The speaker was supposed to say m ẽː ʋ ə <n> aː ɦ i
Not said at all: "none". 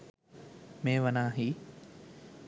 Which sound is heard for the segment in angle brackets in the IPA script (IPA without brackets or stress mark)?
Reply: n